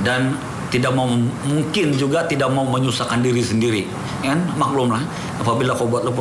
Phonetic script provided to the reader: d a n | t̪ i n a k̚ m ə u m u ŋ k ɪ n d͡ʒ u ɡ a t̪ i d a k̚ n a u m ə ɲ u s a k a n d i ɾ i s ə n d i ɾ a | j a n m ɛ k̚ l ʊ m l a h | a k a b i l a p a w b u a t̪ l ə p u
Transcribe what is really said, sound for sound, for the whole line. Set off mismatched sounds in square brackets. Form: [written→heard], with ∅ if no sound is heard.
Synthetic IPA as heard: d a n | t̪ i [n→d] a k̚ m [ə→a] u m u ŋ k ɪ n d͡ʒ u ɡ a t̪ i d a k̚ [n→m] a u m ə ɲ u s a k a n d i ɾ i s ə n d i ɾ [a→i] | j a n m [ɛ→a] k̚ l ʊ m l a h | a [k→p] a b i l a [p→k] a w b u a t̪ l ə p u